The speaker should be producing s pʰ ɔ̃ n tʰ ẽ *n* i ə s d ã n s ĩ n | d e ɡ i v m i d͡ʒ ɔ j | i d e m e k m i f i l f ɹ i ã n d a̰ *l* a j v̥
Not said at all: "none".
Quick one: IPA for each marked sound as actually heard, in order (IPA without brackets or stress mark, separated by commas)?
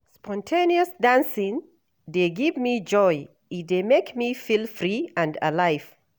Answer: n, l